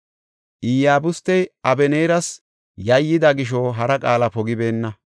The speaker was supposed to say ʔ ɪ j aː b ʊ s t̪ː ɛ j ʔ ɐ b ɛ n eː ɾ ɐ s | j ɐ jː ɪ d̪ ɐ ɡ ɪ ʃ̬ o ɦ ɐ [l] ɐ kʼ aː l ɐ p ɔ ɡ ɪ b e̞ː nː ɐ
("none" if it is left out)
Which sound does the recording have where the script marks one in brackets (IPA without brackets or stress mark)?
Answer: ɾ